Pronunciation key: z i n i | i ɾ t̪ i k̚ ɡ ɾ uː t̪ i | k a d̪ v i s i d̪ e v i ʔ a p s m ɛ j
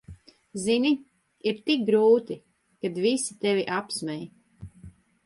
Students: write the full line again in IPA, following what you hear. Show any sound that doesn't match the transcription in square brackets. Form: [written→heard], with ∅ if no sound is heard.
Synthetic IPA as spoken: z i n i | i ɾ t̪ i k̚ ɡ ɾ uː t̪ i | k a d̪ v i s i [d̪→t̪] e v i ʔ a p s m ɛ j